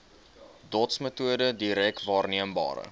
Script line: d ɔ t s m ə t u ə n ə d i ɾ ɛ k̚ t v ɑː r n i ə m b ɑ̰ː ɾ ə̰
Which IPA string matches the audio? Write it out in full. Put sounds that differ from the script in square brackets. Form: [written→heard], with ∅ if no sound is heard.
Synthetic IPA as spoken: d ɔ t s m ə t u ə [n→d] ə d i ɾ ɛ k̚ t v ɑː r n i ə m b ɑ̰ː ɾ ə̰